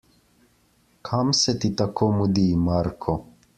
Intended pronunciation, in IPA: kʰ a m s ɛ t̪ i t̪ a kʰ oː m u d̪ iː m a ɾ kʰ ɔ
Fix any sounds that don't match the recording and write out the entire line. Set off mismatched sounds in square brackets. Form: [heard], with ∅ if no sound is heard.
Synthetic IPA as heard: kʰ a m s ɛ t̪ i t̪ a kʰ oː m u d̪ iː m a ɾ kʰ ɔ